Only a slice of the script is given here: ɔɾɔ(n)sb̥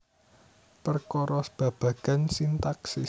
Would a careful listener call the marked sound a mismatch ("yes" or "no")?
yes